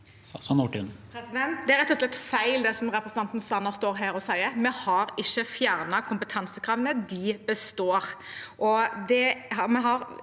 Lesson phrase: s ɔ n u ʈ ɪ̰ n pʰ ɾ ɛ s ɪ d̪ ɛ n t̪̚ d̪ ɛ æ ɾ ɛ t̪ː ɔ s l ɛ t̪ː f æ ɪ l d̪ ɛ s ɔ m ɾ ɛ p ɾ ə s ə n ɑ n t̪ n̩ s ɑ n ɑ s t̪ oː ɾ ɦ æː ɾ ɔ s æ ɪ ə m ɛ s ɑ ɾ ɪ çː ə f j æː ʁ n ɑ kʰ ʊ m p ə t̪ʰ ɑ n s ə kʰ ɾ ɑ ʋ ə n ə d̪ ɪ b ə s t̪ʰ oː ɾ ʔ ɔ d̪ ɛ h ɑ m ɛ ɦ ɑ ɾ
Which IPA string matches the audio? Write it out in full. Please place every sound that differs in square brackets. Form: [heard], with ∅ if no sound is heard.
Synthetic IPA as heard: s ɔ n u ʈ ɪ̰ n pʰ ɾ ɛ s ɪ d̪ ɛ n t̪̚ d̪ ɛ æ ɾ ɛ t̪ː ɔ s l ɛ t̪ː f æ ɪ l d̪ ɛ s ɔ m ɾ ɛ p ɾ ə s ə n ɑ n t̪ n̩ s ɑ n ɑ s t̪ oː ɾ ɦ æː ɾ ɔ s æ ɪ ə m ɛ [h] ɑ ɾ ɪ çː ə f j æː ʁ n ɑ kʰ ʊ m p ə t̪ʰ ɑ n s ə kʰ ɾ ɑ ʋ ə n ə d̪ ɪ b ə s [t̪] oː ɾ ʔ ɔ d̪ ɛ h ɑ m ɛ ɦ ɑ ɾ